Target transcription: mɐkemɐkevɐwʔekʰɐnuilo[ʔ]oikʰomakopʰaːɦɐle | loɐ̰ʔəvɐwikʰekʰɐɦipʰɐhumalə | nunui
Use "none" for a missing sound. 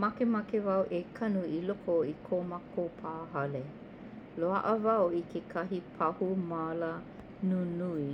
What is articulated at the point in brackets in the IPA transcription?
k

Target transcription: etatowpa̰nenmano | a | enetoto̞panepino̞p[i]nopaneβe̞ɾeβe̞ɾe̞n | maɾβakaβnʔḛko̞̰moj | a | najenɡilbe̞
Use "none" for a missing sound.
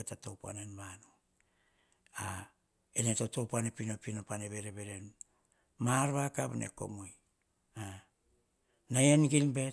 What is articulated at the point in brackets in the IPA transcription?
i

